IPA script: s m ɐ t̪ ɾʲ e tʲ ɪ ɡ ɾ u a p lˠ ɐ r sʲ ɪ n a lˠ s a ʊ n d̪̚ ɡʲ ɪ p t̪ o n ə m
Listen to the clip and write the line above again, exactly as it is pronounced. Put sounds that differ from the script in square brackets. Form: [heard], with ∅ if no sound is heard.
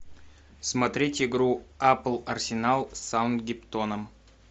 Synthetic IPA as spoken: s m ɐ t̪ ɾʲ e tʲ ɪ ɡ ɾ u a p lˠ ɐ r sʲ ɪ n a lˠ s a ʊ n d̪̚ ɡʲ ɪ p t̪ o n ə m